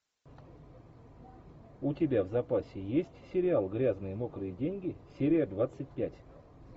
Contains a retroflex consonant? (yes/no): no